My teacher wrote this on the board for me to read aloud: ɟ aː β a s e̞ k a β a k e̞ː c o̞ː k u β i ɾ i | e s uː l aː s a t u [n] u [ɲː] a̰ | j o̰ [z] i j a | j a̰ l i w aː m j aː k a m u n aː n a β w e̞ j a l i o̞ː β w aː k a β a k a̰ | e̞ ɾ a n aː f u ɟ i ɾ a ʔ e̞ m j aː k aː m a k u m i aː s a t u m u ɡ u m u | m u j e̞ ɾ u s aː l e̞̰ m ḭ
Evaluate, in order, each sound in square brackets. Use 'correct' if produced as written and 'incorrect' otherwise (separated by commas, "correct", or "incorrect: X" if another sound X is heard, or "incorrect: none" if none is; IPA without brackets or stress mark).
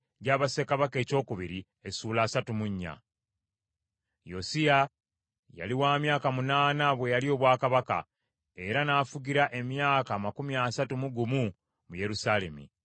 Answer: incorrect: m, correct, incorrect: s